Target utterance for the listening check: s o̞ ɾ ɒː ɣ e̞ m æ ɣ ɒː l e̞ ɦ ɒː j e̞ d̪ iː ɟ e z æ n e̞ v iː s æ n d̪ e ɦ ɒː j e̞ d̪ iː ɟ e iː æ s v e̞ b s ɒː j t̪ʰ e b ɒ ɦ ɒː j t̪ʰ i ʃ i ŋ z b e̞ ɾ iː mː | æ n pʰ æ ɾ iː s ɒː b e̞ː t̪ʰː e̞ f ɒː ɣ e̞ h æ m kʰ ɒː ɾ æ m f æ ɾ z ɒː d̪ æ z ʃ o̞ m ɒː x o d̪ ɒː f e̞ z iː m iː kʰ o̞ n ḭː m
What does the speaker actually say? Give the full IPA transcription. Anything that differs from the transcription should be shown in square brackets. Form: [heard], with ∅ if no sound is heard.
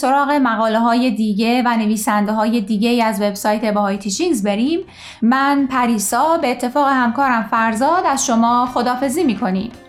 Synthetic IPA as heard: s o̞ ɾ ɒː ɣ e̞ m æ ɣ ɒː l e̞ ɦ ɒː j e̞ d̪ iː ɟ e [v] æ n e̞ v iː s æ n d̪ e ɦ ɒː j e̞ d̪ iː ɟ e iː æ [z] v e̞ b s ɒː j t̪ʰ e b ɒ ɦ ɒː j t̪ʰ i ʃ i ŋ z b e̞ ɾ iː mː | æ n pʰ æ ɾ iː s ɒː b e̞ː t̪ʰː e̞ f ɒː ɣ e̞ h æ m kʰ ɒː ɾ æ m f æ ɾ z ɒː d̪ æ z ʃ o̞ m ɒː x o d̪ ɒː f e̞ z iː m iː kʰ o̞ n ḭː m